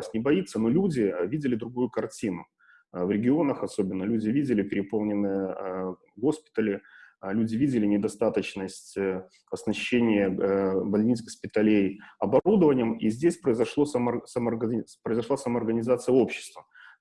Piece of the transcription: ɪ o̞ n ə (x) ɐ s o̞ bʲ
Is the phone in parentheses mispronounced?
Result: no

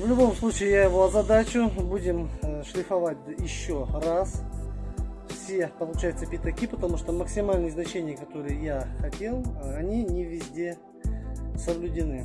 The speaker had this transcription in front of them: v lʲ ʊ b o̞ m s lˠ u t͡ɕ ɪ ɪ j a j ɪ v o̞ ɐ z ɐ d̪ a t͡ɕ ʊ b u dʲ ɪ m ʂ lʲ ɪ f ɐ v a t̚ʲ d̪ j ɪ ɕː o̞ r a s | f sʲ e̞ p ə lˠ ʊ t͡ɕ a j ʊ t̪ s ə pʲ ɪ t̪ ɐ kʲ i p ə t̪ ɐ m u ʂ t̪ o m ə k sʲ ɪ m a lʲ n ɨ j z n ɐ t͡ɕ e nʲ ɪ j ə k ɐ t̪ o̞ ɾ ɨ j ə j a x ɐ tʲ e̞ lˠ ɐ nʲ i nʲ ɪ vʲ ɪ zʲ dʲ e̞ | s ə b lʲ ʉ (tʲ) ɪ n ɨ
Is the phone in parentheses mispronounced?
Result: yes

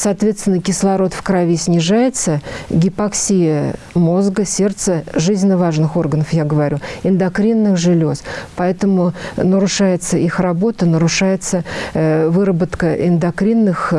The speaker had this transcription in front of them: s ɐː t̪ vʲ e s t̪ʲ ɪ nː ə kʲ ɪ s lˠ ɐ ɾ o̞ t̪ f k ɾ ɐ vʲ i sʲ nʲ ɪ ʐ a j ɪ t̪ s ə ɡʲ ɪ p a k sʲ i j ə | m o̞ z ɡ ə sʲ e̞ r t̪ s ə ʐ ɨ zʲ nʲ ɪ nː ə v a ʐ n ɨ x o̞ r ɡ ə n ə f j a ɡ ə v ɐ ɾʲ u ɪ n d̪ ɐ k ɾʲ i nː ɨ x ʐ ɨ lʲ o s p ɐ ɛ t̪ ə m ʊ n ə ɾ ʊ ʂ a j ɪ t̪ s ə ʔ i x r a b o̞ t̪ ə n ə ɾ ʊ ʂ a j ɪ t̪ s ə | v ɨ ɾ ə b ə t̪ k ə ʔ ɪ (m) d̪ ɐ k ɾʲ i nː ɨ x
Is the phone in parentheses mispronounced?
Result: yes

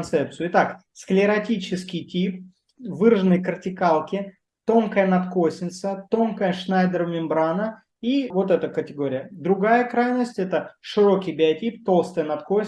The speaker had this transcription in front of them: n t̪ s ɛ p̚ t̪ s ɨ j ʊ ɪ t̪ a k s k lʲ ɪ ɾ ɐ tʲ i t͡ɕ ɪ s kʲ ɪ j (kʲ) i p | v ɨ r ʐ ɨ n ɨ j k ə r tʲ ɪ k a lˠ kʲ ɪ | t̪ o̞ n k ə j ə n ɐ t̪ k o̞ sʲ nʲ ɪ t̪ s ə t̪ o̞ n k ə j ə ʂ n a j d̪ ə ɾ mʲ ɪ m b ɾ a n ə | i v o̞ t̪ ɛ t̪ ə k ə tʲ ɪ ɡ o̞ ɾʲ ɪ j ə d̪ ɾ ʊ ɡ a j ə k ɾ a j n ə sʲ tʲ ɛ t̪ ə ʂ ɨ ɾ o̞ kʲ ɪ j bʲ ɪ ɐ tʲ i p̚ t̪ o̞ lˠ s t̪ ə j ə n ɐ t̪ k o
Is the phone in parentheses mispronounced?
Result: yes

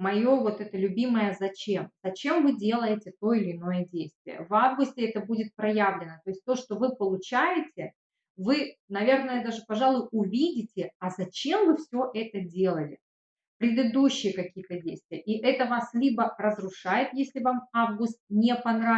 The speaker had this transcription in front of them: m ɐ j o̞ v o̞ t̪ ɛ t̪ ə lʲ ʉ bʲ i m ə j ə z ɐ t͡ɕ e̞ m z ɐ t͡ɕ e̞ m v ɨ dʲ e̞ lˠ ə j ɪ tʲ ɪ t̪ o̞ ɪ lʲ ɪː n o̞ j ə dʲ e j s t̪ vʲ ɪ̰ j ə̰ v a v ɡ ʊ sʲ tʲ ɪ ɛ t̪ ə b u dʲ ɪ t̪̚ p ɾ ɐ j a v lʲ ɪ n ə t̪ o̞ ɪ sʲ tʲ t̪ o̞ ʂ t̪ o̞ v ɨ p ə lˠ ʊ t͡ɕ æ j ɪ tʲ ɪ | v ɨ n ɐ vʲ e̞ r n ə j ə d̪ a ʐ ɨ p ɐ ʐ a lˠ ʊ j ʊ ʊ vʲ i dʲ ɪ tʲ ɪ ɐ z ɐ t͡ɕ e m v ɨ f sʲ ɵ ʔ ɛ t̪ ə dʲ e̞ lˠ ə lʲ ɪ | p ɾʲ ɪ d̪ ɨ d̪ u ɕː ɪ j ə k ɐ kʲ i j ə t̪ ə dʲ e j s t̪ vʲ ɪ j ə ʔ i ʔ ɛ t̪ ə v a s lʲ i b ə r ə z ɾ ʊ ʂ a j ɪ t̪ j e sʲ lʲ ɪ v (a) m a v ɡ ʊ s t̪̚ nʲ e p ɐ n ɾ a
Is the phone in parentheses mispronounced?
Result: no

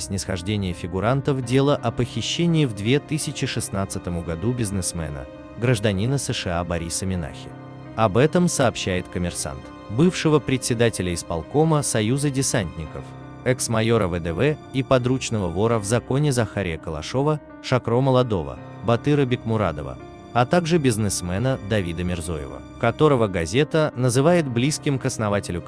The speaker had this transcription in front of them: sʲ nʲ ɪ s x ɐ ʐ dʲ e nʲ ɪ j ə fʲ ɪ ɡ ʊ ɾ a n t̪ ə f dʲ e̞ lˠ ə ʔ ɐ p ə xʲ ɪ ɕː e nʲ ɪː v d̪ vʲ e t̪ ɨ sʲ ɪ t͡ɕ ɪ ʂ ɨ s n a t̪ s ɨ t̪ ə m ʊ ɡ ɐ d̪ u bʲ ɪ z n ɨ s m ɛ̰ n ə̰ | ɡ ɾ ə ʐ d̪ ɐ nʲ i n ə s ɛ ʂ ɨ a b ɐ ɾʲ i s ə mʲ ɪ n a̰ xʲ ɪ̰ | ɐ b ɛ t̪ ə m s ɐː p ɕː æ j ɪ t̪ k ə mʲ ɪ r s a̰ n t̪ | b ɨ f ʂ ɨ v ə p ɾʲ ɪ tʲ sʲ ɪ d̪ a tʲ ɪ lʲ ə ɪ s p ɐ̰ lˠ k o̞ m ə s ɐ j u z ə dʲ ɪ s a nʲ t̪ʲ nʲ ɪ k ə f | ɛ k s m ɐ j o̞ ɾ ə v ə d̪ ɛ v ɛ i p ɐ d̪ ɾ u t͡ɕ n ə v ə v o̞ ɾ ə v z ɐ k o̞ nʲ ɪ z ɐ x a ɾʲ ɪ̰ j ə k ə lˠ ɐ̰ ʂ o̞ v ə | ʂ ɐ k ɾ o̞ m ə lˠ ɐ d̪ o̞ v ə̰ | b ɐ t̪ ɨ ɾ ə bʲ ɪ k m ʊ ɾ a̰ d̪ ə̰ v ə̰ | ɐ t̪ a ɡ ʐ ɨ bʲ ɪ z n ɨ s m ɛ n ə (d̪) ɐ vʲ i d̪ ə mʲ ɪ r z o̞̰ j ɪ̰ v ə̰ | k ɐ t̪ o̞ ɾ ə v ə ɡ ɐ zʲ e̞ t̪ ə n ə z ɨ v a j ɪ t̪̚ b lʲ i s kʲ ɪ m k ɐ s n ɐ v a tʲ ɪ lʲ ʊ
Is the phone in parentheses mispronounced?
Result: no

